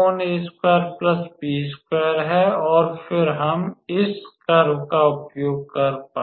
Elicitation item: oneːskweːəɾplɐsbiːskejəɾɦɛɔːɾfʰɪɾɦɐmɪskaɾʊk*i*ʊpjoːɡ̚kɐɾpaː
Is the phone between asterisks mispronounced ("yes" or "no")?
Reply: yes